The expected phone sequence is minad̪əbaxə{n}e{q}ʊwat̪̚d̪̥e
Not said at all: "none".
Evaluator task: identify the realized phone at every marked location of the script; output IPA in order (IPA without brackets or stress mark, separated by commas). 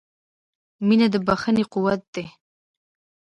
n, q